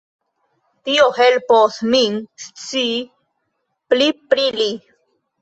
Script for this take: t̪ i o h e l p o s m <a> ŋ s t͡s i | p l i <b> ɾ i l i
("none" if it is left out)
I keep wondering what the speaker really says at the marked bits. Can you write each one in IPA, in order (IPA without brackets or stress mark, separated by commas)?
i, p